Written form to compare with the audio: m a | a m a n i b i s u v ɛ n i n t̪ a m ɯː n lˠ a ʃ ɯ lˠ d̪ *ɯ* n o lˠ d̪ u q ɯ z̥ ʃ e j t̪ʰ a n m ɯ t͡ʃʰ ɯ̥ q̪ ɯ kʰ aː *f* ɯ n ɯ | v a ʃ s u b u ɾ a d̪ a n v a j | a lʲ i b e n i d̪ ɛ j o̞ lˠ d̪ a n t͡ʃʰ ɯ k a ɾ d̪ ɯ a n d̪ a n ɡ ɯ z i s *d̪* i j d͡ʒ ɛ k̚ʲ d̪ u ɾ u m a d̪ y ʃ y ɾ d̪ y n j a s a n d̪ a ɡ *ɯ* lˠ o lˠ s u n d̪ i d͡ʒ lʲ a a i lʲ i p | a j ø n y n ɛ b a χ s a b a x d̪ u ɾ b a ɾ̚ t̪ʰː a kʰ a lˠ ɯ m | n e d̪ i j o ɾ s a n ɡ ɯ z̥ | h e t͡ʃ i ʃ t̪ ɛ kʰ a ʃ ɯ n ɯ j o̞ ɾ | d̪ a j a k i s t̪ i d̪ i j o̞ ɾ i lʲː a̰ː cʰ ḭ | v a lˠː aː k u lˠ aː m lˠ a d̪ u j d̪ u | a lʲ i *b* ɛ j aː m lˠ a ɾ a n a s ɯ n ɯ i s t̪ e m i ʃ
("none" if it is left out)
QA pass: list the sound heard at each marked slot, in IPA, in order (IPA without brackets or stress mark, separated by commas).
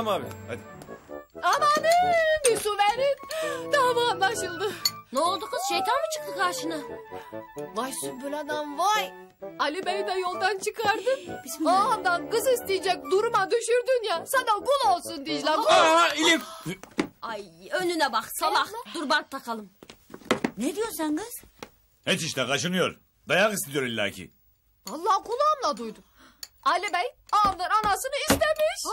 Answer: ɯ, ʃ, t̪, u, b